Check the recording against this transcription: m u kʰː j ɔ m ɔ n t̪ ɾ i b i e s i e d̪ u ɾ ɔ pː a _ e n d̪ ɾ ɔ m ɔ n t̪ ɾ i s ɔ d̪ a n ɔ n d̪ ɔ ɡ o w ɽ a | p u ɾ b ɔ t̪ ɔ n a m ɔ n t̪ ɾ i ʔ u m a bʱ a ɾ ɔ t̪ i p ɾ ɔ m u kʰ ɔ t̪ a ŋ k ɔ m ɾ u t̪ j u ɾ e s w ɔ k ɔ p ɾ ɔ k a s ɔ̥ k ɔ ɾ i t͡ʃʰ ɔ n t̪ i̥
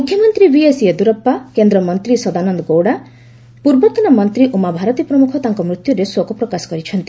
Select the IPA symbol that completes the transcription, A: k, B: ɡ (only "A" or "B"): A